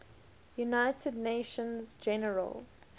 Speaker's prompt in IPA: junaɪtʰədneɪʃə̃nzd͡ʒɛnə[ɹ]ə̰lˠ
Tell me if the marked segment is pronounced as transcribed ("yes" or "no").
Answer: yes